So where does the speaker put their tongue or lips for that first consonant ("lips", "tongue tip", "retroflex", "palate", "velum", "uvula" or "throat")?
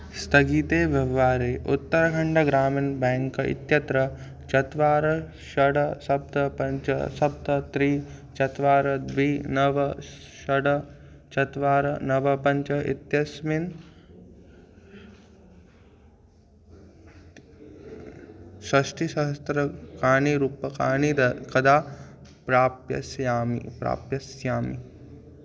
tongue tip